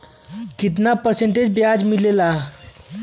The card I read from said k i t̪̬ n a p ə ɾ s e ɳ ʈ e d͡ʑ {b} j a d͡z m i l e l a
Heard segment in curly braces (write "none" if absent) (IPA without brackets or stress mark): b